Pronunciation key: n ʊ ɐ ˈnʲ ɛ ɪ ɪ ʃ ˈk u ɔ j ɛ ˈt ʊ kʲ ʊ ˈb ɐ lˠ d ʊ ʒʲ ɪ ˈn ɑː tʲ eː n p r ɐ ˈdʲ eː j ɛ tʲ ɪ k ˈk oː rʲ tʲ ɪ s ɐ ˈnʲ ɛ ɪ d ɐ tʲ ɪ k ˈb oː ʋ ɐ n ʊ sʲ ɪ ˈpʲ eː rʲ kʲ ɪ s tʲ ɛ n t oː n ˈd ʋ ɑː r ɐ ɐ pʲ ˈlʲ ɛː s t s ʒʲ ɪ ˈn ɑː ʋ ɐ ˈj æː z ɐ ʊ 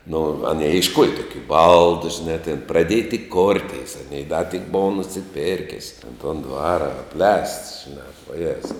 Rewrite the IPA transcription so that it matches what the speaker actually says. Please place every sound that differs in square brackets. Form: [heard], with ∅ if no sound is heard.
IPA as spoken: n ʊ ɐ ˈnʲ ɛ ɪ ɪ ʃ ˈk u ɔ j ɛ ˈt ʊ kʲ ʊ ˈb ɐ lˠ d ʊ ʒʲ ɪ ˈn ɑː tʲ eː n p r ɐ ˈdʲ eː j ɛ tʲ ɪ k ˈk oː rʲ tʲ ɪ s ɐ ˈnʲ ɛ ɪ d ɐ tʲ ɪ k ˈb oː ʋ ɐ n ʊ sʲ ɪ ˈpʲ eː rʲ kʲ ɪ s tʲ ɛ n t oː n ˈd ʋ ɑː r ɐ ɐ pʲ ˈlʲ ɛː s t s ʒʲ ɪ ˈn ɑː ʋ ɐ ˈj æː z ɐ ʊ